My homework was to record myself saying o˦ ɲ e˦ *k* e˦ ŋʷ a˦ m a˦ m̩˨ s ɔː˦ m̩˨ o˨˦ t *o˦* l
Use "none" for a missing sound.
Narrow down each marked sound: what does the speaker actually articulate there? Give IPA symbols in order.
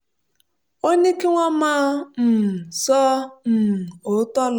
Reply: k, ɔ˦

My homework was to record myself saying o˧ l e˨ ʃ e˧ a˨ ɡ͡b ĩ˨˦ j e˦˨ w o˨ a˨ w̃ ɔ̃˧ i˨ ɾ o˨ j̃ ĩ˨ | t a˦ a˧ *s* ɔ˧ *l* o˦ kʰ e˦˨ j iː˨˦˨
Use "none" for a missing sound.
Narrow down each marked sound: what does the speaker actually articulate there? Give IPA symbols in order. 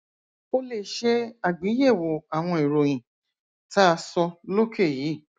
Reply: s, l

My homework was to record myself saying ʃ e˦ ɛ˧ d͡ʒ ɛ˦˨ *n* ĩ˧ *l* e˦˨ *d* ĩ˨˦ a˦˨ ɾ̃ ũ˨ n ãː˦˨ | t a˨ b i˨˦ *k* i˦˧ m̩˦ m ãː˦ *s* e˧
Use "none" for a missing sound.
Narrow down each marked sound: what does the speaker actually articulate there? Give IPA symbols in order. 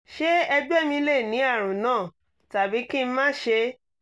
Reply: m, l, n, k, ʃ

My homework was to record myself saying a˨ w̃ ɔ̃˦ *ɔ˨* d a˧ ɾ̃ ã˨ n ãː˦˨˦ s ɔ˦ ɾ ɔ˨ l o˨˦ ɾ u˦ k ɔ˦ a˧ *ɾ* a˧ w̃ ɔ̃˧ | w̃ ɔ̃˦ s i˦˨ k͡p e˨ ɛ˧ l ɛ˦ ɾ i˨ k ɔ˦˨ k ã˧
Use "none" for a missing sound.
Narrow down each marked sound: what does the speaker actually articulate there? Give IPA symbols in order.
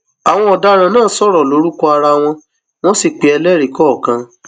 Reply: ɔ˨, ɾ

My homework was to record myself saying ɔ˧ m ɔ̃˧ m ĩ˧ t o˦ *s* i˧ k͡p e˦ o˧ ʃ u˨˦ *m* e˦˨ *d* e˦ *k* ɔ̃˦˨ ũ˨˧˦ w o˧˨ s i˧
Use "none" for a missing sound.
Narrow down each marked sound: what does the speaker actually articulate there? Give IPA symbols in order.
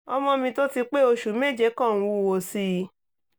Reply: t, m, d͡ʒ, k

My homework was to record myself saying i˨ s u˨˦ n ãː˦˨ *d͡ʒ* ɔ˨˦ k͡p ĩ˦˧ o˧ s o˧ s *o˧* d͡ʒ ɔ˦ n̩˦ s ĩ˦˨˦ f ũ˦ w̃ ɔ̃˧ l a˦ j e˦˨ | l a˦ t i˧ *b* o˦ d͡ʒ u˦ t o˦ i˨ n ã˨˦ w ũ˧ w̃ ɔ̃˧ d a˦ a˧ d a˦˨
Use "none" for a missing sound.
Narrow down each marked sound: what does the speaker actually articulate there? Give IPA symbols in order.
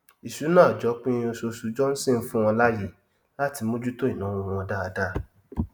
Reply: d͡ʒ, u˧, m

